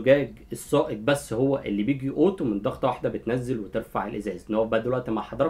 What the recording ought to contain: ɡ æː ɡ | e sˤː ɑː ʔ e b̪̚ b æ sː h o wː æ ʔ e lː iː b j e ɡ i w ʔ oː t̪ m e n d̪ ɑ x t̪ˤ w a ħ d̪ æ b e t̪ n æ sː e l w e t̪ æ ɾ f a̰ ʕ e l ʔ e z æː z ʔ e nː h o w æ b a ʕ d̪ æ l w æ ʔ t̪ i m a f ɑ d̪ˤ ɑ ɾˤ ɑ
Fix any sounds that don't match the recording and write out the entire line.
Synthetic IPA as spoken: ɡ æː ɡ | e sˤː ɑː ʔ e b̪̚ b æ sː h o wː æ ʔ e lː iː b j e ɡ i ʔ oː t̪ m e n d̪ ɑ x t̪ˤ w a ħ d̪ æ b e t̪ n æ zː e l w e t̪ e ɾ f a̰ ʕ e l ʔ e z æː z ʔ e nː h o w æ b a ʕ d̪ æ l w æ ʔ t̪ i m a ħ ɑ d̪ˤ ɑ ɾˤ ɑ